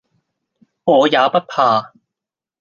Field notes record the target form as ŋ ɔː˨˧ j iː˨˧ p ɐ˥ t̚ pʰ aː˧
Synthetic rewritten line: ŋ ɔː˨˧ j aː˨˧ p ɐ˥ t̚ pʰ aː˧